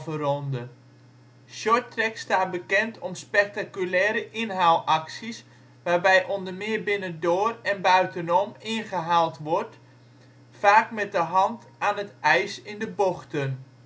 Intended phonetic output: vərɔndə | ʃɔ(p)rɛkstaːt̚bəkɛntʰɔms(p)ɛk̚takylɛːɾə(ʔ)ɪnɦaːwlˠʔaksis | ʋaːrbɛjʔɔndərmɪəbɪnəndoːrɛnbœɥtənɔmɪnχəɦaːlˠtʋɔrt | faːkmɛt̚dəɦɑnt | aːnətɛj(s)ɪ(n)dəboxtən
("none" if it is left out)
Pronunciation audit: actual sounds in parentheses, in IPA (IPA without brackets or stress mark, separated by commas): t, p, ʔ, s, n